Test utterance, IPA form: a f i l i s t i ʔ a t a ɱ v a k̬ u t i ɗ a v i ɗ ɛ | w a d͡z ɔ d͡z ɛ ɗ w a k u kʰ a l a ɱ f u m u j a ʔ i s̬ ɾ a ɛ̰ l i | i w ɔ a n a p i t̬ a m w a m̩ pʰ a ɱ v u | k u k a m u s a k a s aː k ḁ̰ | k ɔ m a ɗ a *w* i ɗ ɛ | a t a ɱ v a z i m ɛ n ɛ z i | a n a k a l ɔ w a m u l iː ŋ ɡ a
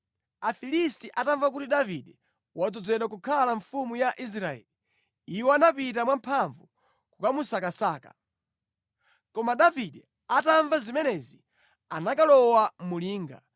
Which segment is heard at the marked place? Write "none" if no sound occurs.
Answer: v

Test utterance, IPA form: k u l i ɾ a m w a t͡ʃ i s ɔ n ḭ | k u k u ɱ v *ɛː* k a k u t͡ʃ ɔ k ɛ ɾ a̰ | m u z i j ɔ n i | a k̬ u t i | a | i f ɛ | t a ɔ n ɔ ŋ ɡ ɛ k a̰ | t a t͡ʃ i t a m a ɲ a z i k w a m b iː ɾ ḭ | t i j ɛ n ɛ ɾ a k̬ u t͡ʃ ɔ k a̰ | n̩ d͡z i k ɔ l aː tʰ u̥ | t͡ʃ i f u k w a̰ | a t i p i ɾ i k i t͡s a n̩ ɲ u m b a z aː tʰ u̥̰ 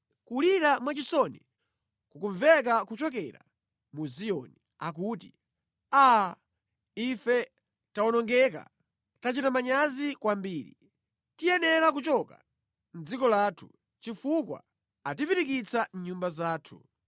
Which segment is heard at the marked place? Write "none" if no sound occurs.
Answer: ɛ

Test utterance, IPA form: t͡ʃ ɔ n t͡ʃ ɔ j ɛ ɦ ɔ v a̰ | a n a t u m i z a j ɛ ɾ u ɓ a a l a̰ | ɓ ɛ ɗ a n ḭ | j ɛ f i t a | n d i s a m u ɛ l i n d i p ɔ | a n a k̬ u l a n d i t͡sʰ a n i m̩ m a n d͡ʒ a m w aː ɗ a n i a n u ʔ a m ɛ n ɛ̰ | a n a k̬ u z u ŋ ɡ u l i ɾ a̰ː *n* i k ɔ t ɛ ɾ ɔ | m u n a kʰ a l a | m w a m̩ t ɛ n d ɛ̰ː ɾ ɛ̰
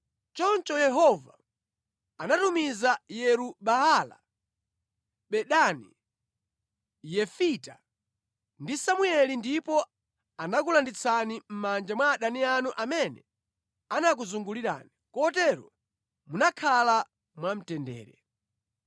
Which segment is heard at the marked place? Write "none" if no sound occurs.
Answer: n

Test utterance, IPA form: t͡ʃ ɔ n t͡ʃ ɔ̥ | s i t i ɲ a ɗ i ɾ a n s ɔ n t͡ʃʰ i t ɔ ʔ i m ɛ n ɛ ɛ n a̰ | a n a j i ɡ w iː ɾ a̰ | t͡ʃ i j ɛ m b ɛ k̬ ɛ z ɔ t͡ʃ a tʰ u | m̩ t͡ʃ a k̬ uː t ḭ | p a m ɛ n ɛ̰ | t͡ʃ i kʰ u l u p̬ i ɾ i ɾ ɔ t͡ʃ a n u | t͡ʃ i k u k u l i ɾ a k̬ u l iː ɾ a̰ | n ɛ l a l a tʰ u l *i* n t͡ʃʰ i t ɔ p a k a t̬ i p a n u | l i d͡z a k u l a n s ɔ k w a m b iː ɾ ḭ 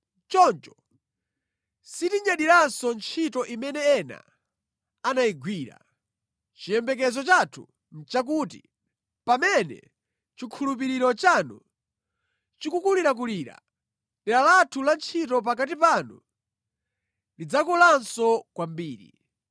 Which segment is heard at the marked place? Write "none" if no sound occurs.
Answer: a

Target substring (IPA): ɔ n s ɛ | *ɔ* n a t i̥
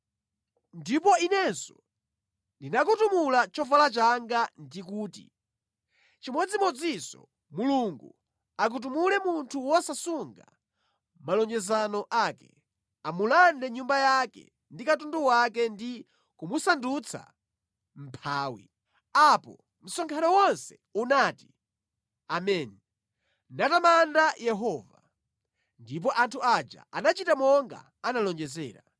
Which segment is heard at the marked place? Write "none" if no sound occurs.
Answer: u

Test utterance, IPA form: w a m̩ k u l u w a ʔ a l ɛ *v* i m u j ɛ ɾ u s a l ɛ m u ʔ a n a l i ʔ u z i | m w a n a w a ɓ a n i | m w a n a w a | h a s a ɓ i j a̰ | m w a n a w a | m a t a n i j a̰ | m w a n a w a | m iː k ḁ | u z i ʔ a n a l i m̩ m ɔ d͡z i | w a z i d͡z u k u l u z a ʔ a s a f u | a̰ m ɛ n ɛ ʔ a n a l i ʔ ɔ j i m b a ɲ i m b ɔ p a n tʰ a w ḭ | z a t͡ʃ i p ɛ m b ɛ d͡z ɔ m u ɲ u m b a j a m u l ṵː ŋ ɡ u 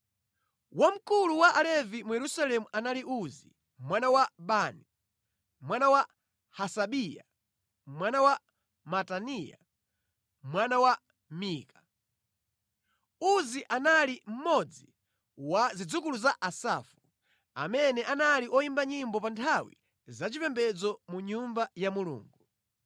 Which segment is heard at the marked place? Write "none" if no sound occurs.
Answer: v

